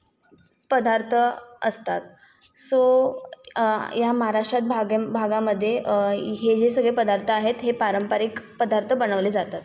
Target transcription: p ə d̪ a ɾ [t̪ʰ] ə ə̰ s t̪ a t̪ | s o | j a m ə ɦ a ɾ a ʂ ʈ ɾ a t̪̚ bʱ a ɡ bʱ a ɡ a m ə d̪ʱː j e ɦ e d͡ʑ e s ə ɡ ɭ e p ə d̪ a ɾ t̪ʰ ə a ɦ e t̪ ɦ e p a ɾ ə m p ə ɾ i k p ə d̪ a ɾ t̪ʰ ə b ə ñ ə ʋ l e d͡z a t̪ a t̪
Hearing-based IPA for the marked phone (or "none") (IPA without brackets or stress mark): t̪ʰ